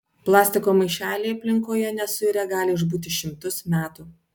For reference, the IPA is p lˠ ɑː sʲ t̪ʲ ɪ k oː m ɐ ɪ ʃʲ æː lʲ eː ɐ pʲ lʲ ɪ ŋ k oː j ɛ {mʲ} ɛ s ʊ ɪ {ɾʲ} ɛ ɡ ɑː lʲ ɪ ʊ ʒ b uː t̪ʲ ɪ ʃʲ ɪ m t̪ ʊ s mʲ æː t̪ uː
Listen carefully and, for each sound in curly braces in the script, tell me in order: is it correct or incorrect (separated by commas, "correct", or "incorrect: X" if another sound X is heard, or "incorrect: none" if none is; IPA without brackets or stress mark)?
incorrect: nʲ, correct